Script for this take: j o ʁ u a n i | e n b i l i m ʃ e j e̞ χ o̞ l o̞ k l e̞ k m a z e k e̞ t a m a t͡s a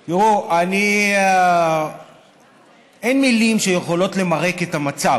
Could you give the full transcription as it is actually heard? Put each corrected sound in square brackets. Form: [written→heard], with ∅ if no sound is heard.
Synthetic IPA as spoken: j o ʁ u a n i | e n [b→m] i l i m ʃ e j e̞ χ o̞ l o̞ [k→t] l e̞ [k→∅] m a [z→ʁ] e k e̞ t a m a t͡s a